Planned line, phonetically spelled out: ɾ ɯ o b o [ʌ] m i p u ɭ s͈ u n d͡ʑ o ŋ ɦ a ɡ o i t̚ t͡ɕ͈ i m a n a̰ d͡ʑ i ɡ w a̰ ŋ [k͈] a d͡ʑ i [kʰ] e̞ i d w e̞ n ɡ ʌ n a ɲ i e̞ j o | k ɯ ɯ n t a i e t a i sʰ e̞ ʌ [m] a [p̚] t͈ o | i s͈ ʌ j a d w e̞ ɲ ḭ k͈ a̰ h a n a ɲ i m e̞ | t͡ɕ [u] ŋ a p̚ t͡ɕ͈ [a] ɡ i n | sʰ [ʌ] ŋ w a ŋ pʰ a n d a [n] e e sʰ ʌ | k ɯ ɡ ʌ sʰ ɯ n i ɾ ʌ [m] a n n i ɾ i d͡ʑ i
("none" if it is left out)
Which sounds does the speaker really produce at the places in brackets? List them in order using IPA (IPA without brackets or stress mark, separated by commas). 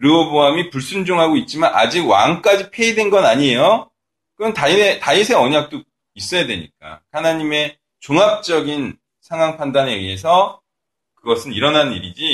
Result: a, k͈, pʰ, ɲ, k̚, o, ʌ, a, n, n